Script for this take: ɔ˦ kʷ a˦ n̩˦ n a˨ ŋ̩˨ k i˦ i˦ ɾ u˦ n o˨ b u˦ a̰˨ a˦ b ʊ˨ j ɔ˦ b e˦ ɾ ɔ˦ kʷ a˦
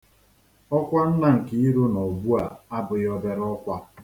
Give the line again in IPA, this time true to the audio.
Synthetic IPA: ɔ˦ kʷ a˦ n̩˦ n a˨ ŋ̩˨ k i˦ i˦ ɾ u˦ n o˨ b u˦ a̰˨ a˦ b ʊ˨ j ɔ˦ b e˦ ɾ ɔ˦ kʷ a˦